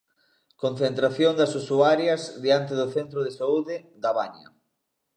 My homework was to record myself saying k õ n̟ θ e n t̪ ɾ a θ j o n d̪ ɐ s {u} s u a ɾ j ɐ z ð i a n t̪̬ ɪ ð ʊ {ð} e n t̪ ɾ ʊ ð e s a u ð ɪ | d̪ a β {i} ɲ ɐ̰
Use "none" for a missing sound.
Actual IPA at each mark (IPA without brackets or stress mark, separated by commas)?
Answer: u, θ, a